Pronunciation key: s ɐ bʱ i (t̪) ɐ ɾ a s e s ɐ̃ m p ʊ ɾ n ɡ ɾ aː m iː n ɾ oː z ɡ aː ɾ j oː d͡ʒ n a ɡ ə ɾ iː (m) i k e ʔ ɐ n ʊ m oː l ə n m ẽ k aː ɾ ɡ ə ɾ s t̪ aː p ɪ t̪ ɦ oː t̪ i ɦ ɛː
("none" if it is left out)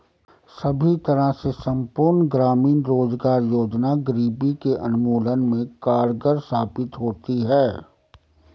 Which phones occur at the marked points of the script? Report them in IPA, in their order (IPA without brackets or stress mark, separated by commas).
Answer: t̪, b